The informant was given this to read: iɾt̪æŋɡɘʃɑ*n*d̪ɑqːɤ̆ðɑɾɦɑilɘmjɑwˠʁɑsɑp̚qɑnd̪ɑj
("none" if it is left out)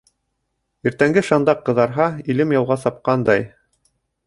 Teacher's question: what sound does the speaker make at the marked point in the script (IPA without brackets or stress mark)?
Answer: n